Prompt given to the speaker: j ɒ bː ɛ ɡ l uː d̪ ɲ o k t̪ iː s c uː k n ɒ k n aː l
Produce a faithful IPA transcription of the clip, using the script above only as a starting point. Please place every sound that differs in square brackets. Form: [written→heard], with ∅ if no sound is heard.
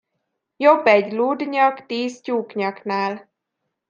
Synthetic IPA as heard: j [ɒ→o] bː ɛ [ɡ→ɟ] l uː d̪ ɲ [o→ɒ] k t̪ iː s c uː k [n→ɲ] ɒ k n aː l